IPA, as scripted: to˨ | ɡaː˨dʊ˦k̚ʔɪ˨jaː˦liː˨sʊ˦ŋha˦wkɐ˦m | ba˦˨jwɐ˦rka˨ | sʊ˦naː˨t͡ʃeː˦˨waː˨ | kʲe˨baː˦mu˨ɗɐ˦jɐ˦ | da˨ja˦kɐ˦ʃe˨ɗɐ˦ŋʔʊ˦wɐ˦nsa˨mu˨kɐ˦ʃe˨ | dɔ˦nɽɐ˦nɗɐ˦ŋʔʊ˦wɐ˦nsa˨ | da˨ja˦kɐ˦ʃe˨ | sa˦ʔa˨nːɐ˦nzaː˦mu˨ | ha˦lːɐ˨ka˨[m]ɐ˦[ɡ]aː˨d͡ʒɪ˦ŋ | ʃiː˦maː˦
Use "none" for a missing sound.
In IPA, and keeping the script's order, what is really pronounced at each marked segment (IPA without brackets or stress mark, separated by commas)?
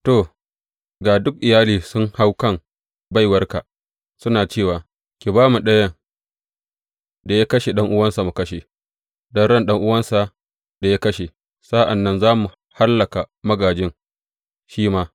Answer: m, ɡ